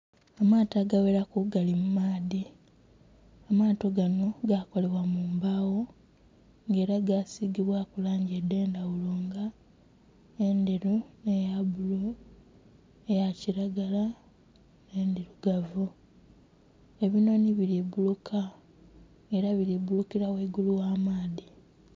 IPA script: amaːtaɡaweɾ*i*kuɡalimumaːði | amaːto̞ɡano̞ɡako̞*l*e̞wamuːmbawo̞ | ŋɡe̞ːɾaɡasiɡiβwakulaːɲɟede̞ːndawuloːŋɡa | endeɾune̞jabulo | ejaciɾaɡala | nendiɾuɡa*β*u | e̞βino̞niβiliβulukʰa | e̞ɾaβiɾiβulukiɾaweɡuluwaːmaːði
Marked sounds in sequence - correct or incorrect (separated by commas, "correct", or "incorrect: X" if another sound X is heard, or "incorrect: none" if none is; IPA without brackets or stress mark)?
incorrect: a, correct, incorrect: v